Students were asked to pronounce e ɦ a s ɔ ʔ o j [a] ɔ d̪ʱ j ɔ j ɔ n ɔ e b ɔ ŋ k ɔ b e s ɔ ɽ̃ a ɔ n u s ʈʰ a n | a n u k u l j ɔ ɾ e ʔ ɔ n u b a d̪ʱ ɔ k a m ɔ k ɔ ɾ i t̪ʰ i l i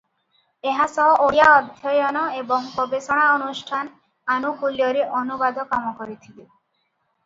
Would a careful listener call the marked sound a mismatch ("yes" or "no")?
no